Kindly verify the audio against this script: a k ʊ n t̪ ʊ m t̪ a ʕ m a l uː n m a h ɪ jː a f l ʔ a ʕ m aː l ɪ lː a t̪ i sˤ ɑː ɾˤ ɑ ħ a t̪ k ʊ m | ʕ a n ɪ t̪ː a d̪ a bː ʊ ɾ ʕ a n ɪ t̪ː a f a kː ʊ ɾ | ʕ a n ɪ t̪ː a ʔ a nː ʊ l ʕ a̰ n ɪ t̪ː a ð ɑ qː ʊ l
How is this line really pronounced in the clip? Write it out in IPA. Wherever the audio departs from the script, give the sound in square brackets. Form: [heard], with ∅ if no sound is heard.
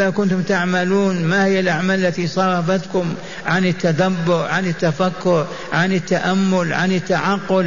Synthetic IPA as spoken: a k ʊ n t̪ ʊ m t̪ a ʕ m a l uː n m a h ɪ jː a [∅] l ʔ a ʕ m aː l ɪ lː a t̪ i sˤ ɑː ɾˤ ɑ [f] a t̪ k ʊ m | ʕ a n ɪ t̪ː a d̪ a bː ʊ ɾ ʕ a n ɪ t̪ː a f a kː ʊ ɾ | ʕ a n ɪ t̪ː a ʔ a [mː] ʊ l ʕ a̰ n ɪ t̪ː a [ʕ] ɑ qː ʊ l